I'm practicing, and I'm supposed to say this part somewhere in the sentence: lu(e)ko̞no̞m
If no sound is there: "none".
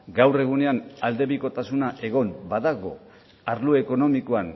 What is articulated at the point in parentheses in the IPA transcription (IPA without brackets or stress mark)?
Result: e